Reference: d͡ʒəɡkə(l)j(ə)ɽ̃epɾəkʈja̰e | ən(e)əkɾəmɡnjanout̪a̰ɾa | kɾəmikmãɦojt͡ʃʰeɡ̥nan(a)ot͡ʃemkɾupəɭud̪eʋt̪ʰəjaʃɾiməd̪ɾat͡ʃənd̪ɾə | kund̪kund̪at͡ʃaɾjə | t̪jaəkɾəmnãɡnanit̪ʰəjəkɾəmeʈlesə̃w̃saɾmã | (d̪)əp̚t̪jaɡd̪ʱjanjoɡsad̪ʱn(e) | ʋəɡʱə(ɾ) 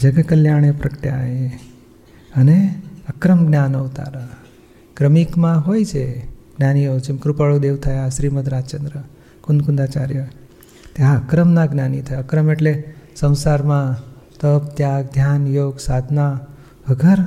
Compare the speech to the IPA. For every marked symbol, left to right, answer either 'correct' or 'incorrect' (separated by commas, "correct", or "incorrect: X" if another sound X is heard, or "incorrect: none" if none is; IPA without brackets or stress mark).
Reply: correct, incorrect: a, correct, incorrect: i, incorrect: t̪, incorrect: a, correct